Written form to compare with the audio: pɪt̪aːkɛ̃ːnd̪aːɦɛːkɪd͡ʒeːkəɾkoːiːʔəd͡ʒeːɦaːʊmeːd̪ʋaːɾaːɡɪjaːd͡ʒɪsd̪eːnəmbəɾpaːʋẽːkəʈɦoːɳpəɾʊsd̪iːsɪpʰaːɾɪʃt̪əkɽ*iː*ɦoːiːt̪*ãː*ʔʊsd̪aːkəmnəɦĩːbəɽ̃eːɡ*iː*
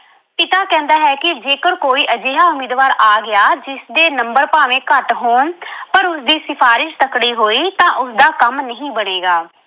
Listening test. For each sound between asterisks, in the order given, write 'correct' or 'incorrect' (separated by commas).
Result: correct, correct, incorrect